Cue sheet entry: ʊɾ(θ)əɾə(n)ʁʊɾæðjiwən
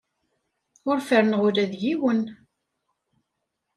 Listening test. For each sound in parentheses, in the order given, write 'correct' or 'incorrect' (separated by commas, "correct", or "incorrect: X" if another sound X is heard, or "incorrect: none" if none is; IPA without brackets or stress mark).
incorrect: f, correct